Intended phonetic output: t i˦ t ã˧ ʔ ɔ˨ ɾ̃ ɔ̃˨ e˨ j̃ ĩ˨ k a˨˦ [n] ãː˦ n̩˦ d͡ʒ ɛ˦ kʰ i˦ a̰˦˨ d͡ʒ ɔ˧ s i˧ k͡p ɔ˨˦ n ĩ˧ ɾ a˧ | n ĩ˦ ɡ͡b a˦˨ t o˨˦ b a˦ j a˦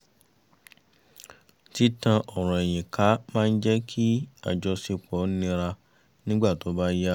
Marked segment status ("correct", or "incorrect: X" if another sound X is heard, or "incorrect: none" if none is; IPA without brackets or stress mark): incorrect: m